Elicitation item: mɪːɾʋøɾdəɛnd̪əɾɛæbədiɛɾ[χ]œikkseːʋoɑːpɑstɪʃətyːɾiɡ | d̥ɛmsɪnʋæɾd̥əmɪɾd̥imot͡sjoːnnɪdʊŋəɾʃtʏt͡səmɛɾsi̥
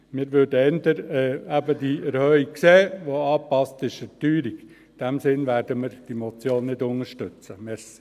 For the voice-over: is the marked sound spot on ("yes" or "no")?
no